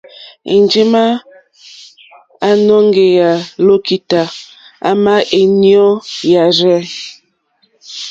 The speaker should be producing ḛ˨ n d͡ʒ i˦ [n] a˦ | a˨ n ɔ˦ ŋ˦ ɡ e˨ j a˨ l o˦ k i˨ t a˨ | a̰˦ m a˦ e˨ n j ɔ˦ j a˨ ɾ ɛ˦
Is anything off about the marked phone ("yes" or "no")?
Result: yes